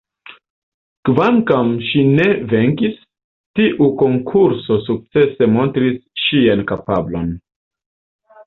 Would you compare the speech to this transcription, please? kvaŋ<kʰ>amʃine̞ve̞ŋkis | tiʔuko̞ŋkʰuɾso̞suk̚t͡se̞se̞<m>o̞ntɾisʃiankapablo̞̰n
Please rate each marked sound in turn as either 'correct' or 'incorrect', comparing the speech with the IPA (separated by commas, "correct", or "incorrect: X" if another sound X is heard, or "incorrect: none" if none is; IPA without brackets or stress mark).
incorrect: k, correct